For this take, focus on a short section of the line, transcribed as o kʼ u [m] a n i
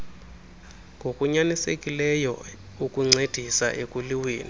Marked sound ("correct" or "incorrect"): incorrect